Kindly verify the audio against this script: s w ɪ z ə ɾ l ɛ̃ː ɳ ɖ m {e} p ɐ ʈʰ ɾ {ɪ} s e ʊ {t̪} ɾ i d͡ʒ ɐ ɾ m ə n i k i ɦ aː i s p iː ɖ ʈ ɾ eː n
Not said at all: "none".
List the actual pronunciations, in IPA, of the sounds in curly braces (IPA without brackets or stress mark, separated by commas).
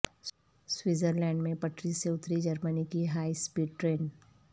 ẽ, i, t̪